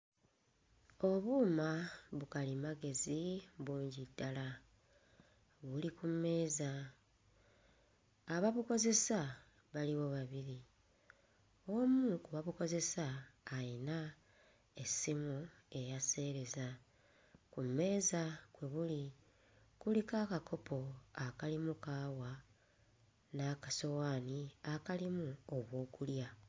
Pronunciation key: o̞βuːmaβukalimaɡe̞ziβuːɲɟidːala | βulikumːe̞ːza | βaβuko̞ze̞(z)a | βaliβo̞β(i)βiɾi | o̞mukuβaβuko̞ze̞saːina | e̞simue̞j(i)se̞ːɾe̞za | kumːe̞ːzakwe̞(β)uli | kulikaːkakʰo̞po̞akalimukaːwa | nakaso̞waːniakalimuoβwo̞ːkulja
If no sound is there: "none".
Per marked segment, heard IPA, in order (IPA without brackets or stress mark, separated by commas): s, a, a, β